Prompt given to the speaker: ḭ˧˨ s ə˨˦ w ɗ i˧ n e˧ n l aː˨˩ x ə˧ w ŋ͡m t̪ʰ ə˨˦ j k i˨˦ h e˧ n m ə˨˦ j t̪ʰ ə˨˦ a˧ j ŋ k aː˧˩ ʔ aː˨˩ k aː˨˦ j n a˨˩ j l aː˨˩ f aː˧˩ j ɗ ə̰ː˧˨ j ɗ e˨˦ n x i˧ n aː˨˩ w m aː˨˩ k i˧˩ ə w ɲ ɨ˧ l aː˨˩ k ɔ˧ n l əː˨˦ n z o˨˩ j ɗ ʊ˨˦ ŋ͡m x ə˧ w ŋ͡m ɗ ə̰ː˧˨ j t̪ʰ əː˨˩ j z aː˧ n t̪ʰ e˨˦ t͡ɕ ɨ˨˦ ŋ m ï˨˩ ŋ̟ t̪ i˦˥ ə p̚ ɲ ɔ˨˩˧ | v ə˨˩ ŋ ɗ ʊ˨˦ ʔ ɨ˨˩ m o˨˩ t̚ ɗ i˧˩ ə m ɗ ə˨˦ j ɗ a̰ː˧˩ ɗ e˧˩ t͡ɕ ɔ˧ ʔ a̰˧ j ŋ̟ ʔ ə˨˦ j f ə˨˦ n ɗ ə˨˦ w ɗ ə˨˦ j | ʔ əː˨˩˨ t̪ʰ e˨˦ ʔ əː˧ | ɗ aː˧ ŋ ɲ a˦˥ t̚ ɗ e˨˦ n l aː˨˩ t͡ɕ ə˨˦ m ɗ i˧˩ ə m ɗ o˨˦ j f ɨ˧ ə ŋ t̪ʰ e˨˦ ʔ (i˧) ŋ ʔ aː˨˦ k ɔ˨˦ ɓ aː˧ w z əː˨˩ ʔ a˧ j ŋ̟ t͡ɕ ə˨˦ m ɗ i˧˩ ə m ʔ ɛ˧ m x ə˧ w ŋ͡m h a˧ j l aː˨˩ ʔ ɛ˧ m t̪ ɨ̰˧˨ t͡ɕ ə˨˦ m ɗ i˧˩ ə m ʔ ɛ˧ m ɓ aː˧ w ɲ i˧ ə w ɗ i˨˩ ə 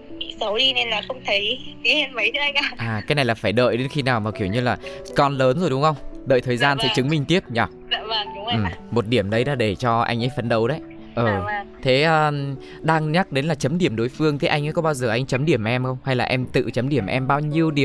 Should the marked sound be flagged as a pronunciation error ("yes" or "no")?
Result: yes